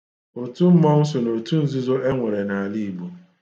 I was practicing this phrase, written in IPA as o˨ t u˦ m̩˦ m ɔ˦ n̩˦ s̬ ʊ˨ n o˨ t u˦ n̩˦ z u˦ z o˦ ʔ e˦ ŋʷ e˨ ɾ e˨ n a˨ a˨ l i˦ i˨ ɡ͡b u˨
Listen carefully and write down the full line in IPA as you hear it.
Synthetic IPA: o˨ t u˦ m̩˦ m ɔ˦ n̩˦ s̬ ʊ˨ n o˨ t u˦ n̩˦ z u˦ z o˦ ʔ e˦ ŋʷ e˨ ɾ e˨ n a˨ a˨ l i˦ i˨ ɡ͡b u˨